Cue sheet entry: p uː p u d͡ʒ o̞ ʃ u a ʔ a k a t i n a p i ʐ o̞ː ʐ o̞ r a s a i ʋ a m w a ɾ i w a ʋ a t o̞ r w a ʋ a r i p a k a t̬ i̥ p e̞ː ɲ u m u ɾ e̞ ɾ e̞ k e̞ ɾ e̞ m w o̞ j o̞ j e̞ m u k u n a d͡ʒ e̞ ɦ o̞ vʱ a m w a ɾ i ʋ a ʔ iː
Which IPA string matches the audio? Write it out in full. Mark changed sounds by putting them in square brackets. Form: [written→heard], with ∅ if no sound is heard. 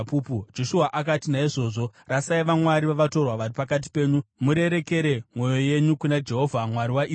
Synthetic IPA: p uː p u d͡ʒ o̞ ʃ u a ʔ a k a t i n a [p→∅] i ʐ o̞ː ʐ o̞ r a s a i ʋ a m w a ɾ i [w→ʋ] a ʋ a t o̞ r w a ʋ a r i p a k a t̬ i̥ p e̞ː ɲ u m u ɾ e̞ ɾ e̞ k e̞ ɾ e̞ m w o̞ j o̞ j e̞ [m→ɲ] u k u n a d͡ʒ e̞ ɦ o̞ vʱ a m w a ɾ i [ʋ→w] a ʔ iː